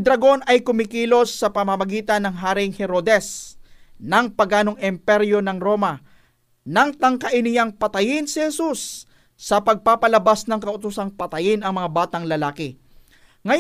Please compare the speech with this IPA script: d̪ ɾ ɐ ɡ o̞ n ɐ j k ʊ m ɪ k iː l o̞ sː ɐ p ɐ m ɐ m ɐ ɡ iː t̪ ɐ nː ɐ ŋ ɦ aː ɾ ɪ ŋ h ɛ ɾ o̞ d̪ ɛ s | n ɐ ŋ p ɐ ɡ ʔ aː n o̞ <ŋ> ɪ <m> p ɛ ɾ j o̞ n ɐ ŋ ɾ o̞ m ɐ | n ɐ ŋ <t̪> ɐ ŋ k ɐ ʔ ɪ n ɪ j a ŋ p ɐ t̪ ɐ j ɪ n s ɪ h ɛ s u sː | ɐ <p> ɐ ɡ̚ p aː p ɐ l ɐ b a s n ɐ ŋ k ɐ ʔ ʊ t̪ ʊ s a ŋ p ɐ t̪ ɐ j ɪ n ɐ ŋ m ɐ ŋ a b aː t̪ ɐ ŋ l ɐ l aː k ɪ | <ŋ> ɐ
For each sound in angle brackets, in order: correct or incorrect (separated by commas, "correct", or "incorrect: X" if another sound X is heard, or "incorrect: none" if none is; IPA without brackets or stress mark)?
correct, correct, correct, correct, correct